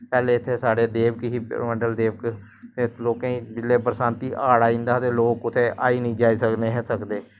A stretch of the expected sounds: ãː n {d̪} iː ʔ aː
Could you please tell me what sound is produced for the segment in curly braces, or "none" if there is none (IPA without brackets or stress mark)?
t̪